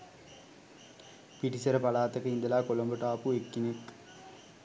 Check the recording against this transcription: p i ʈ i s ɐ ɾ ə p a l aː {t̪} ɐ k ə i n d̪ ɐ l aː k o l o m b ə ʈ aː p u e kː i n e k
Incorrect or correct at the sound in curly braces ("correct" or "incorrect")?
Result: correct